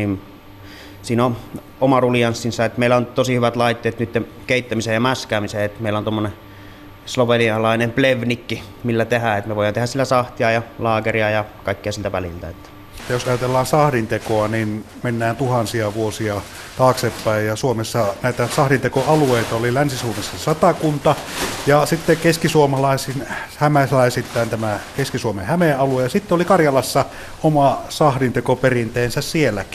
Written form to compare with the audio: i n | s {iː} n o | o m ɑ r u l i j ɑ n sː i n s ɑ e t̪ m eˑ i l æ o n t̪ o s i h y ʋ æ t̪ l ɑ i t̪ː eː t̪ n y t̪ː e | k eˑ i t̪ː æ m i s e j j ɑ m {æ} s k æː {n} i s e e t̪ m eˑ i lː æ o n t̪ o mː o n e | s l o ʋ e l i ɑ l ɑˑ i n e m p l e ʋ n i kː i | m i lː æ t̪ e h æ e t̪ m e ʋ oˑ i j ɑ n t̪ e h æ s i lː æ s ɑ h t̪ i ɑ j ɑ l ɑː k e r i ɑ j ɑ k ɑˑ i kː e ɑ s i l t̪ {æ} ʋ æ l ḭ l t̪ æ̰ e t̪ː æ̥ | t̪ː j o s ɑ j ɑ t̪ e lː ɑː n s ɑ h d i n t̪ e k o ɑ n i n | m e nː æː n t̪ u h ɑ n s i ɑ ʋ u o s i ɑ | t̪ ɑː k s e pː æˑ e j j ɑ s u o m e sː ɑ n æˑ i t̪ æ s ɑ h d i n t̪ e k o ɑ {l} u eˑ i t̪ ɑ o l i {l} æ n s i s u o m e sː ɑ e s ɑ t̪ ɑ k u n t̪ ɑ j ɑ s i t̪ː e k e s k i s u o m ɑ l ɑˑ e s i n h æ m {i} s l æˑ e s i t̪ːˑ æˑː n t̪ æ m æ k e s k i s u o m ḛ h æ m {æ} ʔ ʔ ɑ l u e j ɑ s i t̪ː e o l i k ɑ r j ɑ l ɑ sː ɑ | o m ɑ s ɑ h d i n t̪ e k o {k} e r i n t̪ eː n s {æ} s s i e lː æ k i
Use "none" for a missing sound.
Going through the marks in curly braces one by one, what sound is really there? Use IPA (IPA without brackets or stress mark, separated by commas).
iː, æ, m, æ, l, l, æ, e, p, æ